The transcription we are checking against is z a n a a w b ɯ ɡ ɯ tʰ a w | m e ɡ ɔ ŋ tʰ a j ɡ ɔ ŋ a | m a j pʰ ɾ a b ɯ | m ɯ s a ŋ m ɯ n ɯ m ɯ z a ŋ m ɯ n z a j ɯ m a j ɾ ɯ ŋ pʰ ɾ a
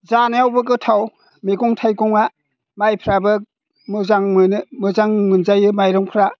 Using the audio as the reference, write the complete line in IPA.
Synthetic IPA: z a n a a w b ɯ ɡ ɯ tʰ a w | m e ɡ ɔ ŋ tʰ a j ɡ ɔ ŋ a | m a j pʰ ɾ a b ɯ | m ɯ z a ŋ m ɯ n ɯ m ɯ z a ŋ m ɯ n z a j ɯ m a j ɾ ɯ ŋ pʰ ɾ a